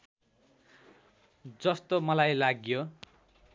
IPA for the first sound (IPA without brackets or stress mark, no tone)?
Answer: d͡z